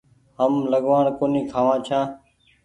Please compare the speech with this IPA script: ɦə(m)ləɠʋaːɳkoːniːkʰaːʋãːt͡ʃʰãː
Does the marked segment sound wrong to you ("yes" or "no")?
no